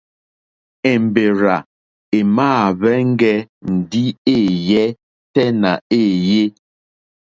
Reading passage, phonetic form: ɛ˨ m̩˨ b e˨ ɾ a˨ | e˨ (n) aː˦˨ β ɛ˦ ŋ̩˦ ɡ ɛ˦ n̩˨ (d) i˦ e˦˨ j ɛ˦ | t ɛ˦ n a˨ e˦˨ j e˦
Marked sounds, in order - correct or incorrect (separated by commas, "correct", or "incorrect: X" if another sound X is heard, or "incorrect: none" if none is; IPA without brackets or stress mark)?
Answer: incorrect: m, correct